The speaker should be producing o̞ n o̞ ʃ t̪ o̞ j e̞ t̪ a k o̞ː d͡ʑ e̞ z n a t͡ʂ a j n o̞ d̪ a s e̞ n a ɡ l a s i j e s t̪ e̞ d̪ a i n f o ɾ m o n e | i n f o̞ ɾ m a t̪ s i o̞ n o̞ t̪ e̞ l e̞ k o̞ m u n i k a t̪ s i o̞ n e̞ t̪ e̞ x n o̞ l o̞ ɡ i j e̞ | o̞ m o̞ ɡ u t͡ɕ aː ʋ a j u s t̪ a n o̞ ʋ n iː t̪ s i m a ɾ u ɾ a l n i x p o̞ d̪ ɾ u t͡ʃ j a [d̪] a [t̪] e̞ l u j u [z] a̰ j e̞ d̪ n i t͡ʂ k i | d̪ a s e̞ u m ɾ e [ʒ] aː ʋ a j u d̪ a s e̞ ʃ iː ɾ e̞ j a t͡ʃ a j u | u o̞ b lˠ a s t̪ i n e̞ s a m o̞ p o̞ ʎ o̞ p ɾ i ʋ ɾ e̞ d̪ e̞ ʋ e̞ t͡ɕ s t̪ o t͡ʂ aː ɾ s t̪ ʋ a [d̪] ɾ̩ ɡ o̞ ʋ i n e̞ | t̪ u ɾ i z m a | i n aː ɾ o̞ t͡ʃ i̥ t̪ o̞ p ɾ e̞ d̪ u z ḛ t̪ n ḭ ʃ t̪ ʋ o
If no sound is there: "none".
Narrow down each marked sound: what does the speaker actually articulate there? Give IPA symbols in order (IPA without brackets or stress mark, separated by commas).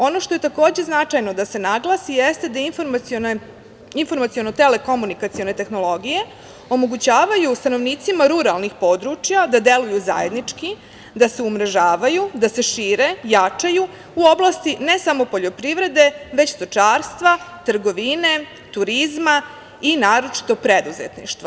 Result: d̪, d̪, z, ʒ, t̪